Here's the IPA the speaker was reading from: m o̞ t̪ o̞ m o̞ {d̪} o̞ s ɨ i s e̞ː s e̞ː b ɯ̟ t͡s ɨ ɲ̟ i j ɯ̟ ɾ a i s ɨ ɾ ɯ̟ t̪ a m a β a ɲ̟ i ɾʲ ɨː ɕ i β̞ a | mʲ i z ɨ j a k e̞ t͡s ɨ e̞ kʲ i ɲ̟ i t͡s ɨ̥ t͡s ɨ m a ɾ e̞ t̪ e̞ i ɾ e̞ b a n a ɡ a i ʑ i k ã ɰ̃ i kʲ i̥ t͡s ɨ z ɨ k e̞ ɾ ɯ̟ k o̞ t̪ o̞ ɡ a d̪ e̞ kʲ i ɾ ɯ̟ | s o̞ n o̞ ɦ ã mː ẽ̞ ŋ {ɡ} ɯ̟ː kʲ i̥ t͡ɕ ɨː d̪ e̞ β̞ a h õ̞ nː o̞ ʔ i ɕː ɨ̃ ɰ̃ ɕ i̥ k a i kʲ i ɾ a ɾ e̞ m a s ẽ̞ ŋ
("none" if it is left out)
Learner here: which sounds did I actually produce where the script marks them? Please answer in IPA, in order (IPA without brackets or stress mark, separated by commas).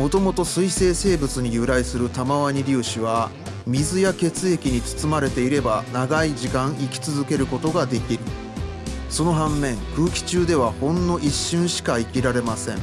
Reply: t̪, k